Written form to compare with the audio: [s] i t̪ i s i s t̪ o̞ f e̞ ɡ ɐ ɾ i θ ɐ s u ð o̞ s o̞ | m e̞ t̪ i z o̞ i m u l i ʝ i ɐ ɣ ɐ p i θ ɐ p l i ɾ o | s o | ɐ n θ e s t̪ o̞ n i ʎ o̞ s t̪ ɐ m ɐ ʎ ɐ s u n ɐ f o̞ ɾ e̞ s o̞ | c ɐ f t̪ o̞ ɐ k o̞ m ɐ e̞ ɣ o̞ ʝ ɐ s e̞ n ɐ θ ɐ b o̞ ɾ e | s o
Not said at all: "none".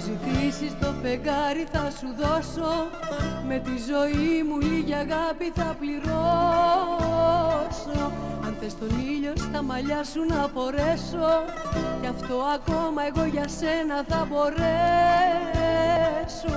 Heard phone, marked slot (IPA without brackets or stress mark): z